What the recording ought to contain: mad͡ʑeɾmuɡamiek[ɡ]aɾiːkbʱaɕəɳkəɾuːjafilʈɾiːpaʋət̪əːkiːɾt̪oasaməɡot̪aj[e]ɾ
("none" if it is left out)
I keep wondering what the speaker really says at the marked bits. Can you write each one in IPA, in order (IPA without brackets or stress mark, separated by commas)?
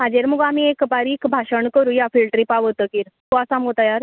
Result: b, a